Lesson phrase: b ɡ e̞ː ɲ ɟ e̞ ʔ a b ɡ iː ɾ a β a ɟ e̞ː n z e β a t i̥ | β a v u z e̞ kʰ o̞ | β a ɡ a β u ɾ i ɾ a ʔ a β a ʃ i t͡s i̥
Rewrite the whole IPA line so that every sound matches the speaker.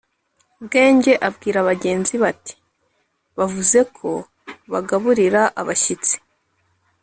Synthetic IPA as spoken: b ɡ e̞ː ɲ ɟ e̞ ʔ a b ɡ iː ɾ a β a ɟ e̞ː n z i β a t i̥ | β a v u z e̞ kʰ o̞ | β a ɡ a β u ɾ i ɾ a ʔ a β a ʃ i t͡s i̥